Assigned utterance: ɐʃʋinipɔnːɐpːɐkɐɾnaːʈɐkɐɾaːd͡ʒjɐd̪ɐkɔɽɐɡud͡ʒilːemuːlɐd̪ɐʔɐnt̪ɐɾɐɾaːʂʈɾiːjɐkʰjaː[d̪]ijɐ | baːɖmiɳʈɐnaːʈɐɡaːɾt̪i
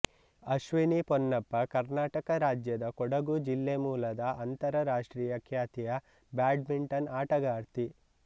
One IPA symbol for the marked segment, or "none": t̪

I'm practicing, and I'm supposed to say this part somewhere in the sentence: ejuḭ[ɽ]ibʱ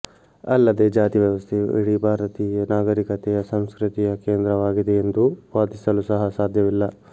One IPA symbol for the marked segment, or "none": ɽ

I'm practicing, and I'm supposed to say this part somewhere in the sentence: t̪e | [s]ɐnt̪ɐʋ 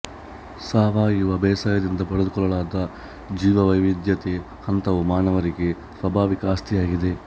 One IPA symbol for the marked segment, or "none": h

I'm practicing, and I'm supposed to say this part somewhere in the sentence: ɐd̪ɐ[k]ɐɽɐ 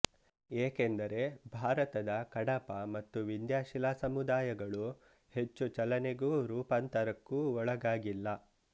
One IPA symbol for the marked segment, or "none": k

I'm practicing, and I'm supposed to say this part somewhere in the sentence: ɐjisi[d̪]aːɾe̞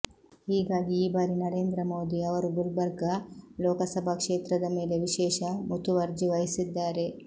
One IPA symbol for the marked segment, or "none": d̪ː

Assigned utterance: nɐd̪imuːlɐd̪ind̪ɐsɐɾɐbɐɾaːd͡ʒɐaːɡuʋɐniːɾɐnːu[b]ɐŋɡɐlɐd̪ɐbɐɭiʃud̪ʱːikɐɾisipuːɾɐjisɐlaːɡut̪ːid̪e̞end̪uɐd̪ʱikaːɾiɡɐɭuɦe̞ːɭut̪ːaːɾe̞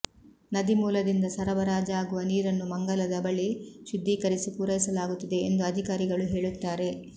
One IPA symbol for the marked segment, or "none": m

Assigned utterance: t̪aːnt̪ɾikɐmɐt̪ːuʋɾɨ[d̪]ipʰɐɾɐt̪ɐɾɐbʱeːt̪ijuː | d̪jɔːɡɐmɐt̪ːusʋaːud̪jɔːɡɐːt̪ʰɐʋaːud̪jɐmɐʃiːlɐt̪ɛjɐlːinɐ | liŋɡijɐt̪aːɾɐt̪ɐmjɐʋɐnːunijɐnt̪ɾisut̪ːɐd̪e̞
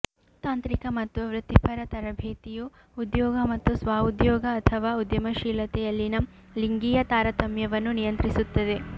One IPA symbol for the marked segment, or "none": t̪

